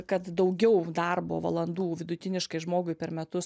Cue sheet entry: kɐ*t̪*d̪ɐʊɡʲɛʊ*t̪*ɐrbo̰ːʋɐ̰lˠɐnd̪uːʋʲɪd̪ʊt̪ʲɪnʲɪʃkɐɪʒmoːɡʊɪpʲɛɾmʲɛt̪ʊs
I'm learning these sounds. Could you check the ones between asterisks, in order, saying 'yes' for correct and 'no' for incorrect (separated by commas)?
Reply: yes, no